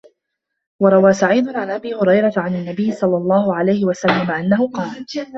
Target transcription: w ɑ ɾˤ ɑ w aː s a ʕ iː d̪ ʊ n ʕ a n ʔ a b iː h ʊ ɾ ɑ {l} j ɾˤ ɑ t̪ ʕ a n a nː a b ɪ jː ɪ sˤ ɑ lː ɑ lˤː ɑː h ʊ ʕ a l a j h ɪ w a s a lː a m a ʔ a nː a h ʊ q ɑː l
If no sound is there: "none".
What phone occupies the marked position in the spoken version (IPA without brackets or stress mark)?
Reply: none